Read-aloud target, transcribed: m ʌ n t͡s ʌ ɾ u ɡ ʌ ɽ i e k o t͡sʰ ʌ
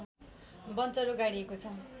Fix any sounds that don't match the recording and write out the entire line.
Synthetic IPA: b ʌ n t͡s ʌ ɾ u ɡ a ɽ i e k o t͡sʰ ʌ